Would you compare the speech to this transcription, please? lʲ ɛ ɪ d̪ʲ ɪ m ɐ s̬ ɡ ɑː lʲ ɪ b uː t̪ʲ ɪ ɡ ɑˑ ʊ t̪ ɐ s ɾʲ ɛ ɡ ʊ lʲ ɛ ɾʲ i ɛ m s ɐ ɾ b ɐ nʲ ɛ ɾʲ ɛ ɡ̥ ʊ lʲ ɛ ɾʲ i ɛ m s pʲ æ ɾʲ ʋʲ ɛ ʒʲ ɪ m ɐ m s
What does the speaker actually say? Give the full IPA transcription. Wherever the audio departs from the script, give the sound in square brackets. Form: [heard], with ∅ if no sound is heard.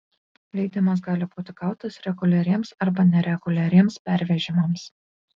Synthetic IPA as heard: lʲ ɛ ɪ d̪ʲ ɪ m ɐ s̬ ɡ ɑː lʲ ɪ b uː t̪ʲ ɪ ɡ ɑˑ ʊ t̪ ɐ s ɾʲ ɛ ɡ ʊ lʲ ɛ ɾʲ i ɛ m s ɐ ɾ b ɐ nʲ ɛ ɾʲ ɛ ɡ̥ ʊ lʲ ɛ ɾʲ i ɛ m s pʲ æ ɾʲ ʋʲ ɛ ʒʲ ɪ m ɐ m s